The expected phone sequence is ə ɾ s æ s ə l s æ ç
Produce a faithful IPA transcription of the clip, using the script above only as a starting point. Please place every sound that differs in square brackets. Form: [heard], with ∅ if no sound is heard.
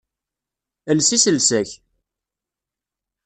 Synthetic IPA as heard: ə [l] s [i] s ə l s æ ç